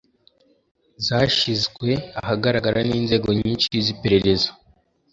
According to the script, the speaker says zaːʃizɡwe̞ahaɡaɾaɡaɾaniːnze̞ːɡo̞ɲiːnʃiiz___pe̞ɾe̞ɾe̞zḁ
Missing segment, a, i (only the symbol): i